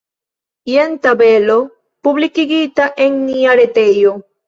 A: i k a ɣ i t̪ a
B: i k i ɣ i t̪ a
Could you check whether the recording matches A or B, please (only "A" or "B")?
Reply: B